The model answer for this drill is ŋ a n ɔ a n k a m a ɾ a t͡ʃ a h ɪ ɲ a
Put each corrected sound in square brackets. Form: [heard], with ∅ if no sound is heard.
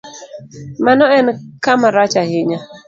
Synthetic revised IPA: [m] a n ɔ [ɛ] n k a m a ɾ a t͡ʃ a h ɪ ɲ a